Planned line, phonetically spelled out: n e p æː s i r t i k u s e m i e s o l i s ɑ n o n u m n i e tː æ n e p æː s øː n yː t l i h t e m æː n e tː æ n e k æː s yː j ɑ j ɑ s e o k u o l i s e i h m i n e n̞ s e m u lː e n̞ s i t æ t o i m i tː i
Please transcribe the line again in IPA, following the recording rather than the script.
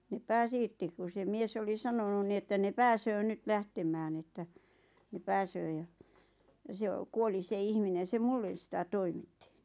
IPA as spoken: n e p æː s i r t i k u s e m i e s o l i s ɑ n o n u n n i e tː æ n e p æː s øː n y t l æ h t e m æː n e tː æ n e p æː s øː j ɑ j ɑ s e o k u o l i s e i h m i n e n̞ s e m u lː e n̞ s i t æ t o i m i tː i

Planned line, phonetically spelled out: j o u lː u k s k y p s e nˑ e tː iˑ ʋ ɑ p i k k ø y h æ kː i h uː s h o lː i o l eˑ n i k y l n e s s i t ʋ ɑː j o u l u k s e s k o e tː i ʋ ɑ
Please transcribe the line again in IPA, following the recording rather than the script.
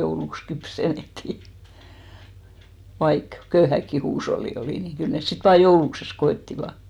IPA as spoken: j o u l u k s k y p s e nˑ e tː iˑ ʋ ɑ i k k ø y h æ kː i h uː s h o lː i o l iˑ n i k y l n e s s i t ʋ ɑː j o u l u k s e s k o e tː i ʋ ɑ

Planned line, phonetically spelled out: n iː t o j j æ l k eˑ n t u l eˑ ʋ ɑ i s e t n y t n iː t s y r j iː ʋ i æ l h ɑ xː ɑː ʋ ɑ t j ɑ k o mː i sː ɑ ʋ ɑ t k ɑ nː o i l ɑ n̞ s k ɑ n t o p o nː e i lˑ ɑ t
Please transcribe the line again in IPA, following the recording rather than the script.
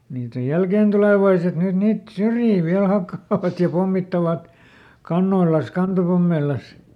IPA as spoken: n iː t o j j æ l k eˑ n t u l eˑ ʋ ɑ i s e t n y t n iː t s y r j iː ʋ i æ l h ɑ kː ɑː ʋ ɑ t j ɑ p o mː i tː ɑ ʋ ɑ t k ɑ nː o i l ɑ n̞ s k ɑ n t o p o mː e i lˑ ɑ s

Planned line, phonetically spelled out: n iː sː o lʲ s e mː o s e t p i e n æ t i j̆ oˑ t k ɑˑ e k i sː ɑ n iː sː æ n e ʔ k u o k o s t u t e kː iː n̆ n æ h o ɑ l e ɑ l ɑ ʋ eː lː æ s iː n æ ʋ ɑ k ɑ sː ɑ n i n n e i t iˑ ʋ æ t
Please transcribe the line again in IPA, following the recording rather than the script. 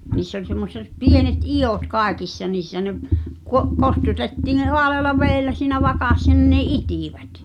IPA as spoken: n iː sː o lʲ s e mː o s e t p i e n e t i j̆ oˑ t k ɑˑ e k i sː ɑ n iː sː æ n e ʔ k u o k o s t u t e tː iː n̆ n e h o ɑ l e ɑ l ɑ ʋ eː lː æ s iː n æ ʋ ɑ k ɑ sː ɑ n i n n e i t iˑ ʋ æ t

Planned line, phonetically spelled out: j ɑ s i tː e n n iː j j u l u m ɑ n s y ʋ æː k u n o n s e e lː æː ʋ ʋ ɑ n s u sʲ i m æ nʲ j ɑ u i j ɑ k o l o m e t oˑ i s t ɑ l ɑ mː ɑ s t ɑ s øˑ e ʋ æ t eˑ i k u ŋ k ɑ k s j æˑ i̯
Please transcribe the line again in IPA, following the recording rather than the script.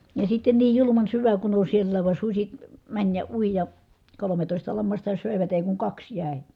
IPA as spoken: j ɑ s i tː e n n iː j j u l u m ɑ n s y ʋ æ k u n o n s i e lː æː ʋ ʋ ɑ n s u sʲ i m æ nʲ j ɑ u i j ɑ k o l o m e t oˑ i s t ɑ l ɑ mː ɑ s t ɑ s øˑ e ʋ æ t eˑ i k u ŋ k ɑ k s j æˑ i̯

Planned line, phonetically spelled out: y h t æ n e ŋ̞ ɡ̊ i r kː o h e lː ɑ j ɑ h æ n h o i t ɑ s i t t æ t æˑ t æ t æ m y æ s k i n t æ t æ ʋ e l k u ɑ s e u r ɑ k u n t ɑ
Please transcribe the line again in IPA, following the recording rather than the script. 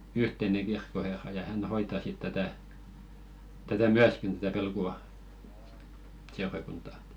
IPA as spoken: y h t e n e ŋ̞ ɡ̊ i r kː o h e rː ɑ j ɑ h æ n h o i t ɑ s i t t æ t æˑ t æ t æ m y æ s k i n t æ t æ ʋ e l k u ɑ s e u r ɑ k u n t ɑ

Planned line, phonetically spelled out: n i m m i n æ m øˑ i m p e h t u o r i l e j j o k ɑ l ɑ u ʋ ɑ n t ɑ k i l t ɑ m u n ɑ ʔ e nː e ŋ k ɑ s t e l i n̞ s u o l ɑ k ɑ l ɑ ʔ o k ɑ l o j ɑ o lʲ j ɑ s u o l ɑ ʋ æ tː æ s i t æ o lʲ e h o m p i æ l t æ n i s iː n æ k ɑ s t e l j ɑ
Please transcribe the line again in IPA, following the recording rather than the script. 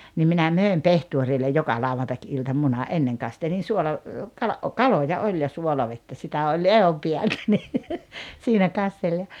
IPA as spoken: n i m m i n æ m øˑ e m p e h t u o r i lː e j j o k ɑ l ɑ u ʋ ɑ n t ɑ k i l t ɑ m u n ɑ ʔ e nː e ŋ k ɑ s t e l i n̞ s u o l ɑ k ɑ l ɑ ʔ o k ɑ l o j ɑ o lʲ j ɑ s u o l ɑ ʋ e tː æ s i t æ o lʲ e h o m p i æ l t æ n i s iː n æ k ɑ s t e l j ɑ

